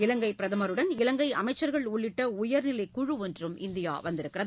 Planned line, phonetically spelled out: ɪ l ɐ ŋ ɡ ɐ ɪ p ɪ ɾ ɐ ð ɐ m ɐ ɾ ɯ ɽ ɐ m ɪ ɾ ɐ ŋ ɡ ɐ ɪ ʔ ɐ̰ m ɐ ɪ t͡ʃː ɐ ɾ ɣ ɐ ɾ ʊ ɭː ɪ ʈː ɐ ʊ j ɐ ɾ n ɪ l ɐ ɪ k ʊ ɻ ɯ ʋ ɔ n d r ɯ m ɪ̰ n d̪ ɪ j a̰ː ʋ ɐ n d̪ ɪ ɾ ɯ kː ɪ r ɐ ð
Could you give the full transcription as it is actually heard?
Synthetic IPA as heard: ɪ l ɐ ŋ ɡ ɐ ɪ p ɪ ɾ ɐ ð ɐ m ɐ ɾ ɯ ɽ ɐ n ɪ l ɐ ŋ ɡ ɐ ɪ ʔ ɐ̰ m ɐ ɪ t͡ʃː ɐ ɾ ɣ ɐ ɭ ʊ ɭː ɪ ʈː ɐ ʊ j ɐ ɾ n ɪ l ɐ ɪ k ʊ ɻ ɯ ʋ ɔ n d r ɯ m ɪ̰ n d̪ ɪ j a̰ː ʋ ɐ n d̪ ɪ ɾ ɯ kː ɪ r ɐ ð